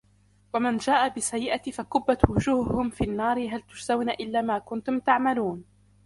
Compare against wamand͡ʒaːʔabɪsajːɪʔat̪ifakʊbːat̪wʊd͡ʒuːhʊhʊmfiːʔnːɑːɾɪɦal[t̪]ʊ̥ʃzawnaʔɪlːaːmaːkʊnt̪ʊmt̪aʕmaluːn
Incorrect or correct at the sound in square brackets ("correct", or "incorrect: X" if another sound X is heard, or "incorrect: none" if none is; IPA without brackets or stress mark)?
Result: correct